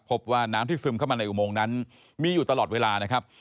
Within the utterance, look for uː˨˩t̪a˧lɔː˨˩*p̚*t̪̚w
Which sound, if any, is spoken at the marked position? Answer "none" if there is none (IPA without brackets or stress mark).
none